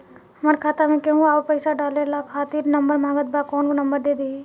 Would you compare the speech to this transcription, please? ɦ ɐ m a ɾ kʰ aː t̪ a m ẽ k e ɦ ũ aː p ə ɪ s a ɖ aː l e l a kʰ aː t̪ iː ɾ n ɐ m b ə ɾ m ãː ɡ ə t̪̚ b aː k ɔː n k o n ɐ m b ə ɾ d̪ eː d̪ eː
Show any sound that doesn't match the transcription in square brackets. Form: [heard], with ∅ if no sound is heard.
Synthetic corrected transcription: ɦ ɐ m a ɾ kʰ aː t̪ a m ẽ k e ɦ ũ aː p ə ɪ s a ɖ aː l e l a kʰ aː t̪ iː ɾ n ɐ m b ə ɾ m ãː ɡ ə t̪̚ b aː k ɔː n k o n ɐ m b ə ɾ d̪ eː d̪ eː